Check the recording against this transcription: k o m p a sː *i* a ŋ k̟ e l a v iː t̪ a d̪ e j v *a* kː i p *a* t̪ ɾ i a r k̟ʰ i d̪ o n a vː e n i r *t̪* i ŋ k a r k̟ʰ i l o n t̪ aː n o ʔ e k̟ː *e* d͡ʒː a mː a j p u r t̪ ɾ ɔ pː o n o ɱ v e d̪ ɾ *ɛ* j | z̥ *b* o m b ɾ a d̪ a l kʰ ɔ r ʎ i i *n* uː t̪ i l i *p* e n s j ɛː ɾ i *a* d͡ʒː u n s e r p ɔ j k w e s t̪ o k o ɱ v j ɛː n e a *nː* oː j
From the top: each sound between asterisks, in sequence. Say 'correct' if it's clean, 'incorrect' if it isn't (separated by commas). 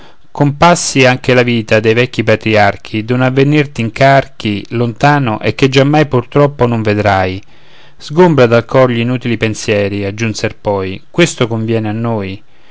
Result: correct, incorrect, correct, correct, correct, incorrect, incorrect, correct, correct, correct, correct